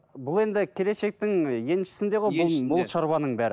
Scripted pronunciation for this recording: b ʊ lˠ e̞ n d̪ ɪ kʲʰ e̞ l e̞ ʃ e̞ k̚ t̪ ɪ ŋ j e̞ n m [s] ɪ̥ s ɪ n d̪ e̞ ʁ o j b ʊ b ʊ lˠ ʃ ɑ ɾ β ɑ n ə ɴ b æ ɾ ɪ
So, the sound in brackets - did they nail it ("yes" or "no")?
no